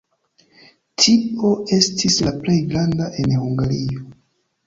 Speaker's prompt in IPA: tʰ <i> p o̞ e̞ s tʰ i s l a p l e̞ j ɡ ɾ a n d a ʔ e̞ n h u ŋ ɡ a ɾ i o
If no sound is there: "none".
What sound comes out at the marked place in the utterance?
i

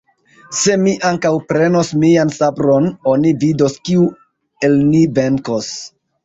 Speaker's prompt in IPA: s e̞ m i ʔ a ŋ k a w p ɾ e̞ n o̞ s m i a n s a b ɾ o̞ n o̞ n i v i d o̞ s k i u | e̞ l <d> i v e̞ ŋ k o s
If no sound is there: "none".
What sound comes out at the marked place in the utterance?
n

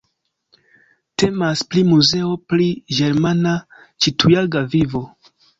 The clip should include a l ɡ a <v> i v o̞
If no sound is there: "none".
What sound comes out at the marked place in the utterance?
v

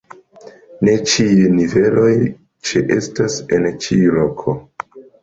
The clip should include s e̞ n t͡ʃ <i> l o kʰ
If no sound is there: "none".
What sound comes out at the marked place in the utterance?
i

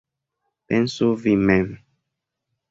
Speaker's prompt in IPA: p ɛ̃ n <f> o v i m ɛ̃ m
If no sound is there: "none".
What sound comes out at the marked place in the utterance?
s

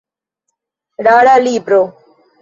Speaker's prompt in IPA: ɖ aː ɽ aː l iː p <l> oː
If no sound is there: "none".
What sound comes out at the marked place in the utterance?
ɾ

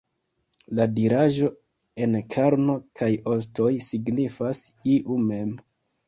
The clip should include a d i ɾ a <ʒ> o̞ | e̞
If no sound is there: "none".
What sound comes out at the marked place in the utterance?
ʒ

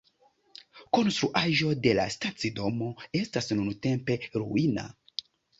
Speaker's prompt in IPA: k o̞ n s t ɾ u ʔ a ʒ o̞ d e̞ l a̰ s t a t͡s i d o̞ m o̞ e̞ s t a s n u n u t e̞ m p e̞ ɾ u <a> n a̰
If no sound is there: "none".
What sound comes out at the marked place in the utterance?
i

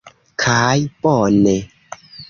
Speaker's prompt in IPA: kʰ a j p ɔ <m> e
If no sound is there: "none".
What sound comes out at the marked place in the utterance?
n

